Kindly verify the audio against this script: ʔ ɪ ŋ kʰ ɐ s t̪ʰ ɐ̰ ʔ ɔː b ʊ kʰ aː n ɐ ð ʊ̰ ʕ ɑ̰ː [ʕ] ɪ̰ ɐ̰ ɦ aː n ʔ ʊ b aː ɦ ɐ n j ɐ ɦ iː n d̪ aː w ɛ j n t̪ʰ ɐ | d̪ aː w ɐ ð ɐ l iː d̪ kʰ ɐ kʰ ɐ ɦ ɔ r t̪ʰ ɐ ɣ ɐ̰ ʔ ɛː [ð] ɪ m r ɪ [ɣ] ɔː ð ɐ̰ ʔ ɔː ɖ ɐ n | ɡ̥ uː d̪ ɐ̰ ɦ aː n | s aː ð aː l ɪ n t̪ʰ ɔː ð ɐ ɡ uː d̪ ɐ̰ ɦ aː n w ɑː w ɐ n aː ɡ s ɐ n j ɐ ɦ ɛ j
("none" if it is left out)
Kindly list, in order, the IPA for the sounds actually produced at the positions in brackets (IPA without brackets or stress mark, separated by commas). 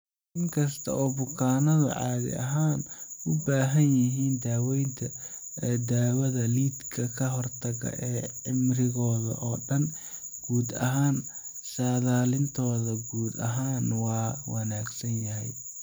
ð, ʕ, ɣ